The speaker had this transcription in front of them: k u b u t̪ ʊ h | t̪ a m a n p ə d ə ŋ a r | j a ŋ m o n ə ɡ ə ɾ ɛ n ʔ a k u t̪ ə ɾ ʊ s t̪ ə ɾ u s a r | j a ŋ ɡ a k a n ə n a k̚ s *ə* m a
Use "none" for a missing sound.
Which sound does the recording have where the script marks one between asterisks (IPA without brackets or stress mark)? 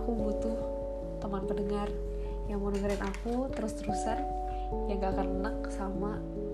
a